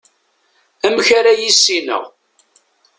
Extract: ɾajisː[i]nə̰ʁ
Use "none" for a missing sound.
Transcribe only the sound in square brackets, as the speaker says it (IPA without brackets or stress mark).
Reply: i